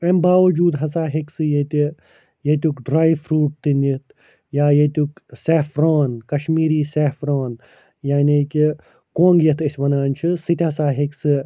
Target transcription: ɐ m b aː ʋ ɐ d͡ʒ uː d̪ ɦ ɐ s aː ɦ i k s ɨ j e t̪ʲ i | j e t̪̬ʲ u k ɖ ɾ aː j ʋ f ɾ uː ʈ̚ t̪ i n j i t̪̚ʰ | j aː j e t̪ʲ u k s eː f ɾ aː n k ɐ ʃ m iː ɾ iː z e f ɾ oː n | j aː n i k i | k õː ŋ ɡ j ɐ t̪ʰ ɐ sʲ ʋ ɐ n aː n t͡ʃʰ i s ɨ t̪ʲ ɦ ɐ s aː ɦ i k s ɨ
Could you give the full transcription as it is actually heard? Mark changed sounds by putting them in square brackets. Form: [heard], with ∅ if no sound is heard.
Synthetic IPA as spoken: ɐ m b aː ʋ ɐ d͡ʒ uː d̪ ɦ ɐ s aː ɦ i k s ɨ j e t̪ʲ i | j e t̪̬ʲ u k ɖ ɾ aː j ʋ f ɾ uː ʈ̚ t̪ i n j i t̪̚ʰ | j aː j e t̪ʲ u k s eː f ɾ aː n k ɐ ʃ m iː ɾ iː [s] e f ɾ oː n | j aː n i k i | k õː ŋ ɡ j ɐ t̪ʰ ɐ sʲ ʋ ɐ n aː n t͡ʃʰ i s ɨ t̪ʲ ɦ ɐ s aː ɦ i k s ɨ